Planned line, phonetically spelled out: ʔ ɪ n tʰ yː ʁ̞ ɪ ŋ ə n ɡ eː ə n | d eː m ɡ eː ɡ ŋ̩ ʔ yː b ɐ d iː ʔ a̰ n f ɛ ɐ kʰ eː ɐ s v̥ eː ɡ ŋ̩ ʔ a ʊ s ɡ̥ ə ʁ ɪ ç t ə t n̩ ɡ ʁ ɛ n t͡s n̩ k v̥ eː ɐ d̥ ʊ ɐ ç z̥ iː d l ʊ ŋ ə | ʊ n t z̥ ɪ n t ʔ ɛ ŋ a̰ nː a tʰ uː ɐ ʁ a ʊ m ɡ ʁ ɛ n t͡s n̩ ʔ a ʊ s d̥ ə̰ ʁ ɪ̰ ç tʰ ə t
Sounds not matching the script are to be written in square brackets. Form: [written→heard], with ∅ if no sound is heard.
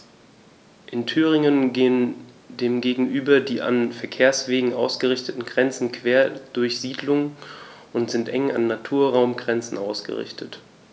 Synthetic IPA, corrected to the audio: ʔ ɪ n tʰ yː ʁ̞ ɪ ŋ ə n ɡ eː ə n | d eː m ɡ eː ɡ ŋ̩ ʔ yː b ɐ d iː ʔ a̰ n f ɛ ɐ kʰ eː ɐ s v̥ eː ɡ ŋ̩ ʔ a ʊ s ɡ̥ ə ʁ ɪ ç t ə t n̩ ɡ ʁ ɛ n t͡s n̩ k v̥ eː ɐ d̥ ʊ ɐ ç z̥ iː d l ʊ ŋ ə | ʊ n t z̥ ɪ n t ʔ ɛ ŋ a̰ nː a tʰ uː ɐ ʁ a ʊ m ɡ ʁ ɛ n t͡s n̩ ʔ a ʊ s [d̥→ɡ̥] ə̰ ʁ ɪ̰ ç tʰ ə t